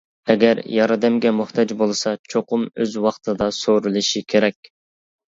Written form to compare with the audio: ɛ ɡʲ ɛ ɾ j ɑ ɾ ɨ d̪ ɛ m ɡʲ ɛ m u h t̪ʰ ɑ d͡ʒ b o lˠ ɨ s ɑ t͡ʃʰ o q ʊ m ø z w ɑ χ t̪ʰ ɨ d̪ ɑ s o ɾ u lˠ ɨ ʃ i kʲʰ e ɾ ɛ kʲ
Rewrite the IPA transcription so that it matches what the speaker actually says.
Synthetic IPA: ɛ ɡʲ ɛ ɾ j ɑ ɾ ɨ d̪ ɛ m ɡʲ ɛ m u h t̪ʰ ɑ d͡ʒ b o lˠ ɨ s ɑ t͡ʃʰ o q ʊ m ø z w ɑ χ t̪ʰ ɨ d̪ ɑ s o ɾ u lˠ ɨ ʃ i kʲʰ e ɾ ɛ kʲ

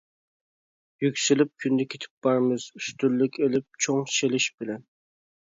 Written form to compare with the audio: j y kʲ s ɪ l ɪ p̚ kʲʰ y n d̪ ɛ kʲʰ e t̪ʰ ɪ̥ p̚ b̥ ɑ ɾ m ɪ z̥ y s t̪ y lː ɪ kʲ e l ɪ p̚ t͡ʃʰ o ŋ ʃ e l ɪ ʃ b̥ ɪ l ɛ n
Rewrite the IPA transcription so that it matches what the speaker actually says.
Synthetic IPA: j y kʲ s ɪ l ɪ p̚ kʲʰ y n d̪ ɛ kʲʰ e t̪ʰ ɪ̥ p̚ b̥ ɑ ɾ m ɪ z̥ y s t̪ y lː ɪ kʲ e l ɪ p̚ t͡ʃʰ o ŋ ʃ e l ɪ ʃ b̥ ɪ l ɛ n

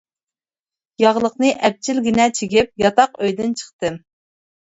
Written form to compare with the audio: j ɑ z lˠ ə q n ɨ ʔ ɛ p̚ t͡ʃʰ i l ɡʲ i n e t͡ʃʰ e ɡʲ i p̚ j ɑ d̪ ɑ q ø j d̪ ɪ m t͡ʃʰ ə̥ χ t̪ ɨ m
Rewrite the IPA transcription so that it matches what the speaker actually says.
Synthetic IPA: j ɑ ʁ lˠ ə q n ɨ ʔ ɛ p̚ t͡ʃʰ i l ɡʲ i n ɛ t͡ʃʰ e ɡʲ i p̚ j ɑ t̪ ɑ q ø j d̪ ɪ n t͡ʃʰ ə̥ χ t̪ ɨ m

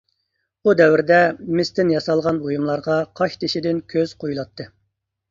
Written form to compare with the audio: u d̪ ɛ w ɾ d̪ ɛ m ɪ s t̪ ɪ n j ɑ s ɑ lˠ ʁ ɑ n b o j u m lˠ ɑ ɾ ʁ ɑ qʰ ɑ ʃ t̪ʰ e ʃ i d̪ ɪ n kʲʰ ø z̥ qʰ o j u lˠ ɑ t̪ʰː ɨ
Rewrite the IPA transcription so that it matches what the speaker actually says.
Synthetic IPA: u d̪ ɛ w ɾ d̪ ɛ m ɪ s t̪ ɪ n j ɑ s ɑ lˠ ʁ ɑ n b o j u m lˠ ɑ ɾ ʁ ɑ qʰ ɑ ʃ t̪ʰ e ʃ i d̪ ɪ n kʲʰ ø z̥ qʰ o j u lˠ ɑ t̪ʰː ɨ

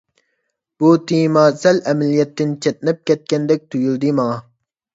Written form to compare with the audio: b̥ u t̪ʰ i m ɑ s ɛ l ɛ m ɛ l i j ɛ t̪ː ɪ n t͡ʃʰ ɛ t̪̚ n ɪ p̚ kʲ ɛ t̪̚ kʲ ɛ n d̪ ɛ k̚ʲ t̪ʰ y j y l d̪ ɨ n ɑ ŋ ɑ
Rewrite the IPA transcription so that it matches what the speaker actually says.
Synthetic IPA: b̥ u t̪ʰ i m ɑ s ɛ l ɛ m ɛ l i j ɛ t̪ː ɪ n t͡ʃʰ ɛ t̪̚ n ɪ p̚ kʲ ɛ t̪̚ kʲ ɛ n d̪ ɛ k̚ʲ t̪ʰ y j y l d̪ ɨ m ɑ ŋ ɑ

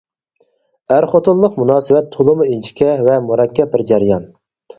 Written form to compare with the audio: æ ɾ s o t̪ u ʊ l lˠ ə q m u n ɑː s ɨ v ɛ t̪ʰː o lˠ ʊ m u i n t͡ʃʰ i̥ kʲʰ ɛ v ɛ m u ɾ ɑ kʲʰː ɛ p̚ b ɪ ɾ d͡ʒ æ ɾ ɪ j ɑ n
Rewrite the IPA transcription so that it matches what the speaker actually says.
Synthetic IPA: æ ɾ χ o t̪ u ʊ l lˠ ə q m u n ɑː s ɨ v ɛ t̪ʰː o lˠ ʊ m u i n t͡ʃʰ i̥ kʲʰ ɛ v ɛ m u ɾ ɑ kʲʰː ɛ p̚ b ɪ ɾ d͡ʒ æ ɾ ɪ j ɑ n

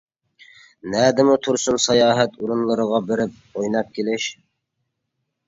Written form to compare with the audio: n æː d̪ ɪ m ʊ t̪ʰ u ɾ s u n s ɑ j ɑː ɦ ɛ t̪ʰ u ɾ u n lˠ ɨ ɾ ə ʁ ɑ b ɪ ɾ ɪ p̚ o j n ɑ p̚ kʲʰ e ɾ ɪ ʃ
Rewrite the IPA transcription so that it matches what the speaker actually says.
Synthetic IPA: n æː d̪ ɪ m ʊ t̪ʰ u ɾ s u n s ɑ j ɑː ɦ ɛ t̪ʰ u ɾ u n lˠ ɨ ɾ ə ʁ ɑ b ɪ ɾ ɪ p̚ o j n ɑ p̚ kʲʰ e l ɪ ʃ

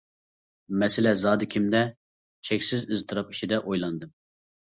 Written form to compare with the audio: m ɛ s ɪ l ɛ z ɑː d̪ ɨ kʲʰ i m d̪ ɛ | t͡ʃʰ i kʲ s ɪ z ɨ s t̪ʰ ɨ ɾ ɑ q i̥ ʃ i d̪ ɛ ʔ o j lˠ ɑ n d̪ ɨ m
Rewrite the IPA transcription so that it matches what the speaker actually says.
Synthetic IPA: m ɛ s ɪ l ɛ z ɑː d̪ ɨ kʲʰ i m d̪ ɛ | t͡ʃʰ ɛ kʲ s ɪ z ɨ z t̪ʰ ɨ ɾ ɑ p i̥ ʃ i d̪ ɛ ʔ o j lˠ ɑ n d̪ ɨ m

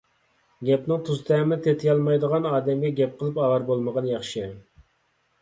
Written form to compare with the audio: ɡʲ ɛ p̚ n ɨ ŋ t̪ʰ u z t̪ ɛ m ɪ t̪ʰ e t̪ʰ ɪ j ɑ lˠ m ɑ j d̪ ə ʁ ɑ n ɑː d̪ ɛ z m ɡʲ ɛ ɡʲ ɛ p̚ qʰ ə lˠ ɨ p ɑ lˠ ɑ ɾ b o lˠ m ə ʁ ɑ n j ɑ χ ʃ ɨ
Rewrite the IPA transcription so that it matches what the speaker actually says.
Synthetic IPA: ɡʲ ɛ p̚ n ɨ ŋ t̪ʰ u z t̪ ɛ m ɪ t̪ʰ e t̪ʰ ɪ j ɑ lˠ m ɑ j d̪ ə ʁ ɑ n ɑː d̪ ɛ m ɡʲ ɛ ɡʲ ɛ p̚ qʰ ə lˠ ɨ p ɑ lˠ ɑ ɾ b o lˠ m ə ʁ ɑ n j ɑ χ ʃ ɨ

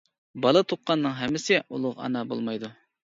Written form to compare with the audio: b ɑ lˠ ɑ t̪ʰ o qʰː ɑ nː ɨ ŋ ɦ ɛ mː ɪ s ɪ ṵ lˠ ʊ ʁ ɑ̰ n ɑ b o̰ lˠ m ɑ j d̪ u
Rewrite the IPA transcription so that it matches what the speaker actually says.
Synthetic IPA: b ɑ lˠ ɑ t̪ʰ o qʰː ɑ nː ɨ ŋ ɦ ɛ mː ɪ s ɪ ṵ lˠ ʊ ʁ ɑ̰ n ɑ b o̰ lˠ m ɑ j d̪ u

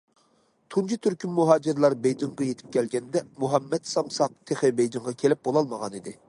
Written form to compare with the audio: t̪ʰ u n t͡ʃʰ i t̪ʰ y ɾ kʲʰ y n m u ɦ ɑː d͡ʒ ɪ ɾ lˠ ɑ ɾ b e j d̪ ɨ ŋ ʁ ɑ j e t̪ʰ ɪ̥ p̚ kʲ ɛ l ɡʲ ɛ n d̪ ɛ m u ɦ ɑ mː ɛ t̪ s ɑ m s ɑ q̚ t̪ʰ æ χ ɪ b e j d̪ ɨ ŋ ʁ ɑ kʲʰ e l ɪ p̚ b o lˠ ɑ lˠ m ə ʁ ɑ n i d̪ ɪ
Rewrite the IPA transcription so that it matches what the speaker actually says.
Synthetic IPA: t̪ʰ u n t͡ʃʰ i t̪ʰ y ɾ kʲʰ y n m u ɦ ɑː d͡ʒ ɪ ɾ lˠ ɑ ɾ b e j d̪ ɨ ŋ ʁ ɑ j e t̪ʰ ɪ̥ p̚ kʲ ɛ l ɡʲ ɛ n d̪ ɛ m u ɦ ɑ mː ɛ t̪ s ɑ m s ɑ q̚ t̪ʰ e χ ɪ b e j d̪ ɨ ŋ ʁ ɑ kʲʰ e l ɪ p̚ b o lˠ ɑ lˠ m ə ʁ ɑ n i d̪ ɪ

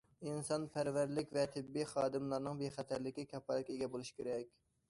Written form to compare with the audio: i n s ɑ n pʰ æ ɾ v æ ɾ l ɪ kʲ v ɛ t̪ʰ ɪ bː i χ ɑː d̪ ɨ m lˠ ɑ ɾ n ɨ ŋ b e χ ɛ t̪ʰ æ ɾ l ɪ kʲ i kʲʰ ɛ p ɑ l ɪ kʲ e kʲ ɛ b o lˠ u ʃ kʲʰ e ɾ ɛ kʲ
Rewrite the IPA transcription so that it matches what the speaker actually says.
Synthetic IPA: i n s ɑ n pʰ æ ɾ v æ ɾ l ɪ kʲ v ɛ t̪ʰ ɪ bː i χ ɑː d̪ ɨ m lˠ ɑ ɾ n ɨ ŋ b e χ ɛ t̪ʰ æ ɾ l ɪ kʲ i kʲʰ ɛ p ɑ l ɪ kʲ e ɡʲ ɛ b o lˠ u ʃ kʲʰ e ɾ ɛ kʲ

